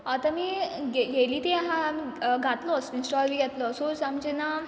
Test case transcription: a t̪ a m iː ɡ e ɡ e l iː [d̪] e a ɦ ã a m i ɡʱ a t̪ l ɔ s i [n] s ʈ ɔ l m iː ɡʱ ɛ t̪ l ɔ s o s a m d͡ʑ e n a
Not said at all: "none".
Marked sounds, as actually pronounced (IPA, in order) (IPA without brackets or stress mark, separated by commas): t̪, n